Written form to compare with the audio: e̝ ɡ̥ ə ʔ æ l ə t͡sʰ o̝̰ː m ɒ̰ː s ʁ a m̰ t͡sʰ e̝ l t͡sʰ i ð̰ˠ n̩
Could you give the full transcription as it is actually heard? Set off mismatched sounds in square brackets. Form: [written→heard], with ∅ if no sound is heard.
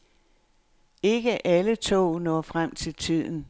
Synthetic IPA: e̝ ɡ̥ ə ʔ æ l ə t͡sʰ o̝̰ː [m→n] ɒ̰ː [s→f] ʁ a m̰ t͡sʰ e̝ l t͡sʰ i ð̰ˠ n̩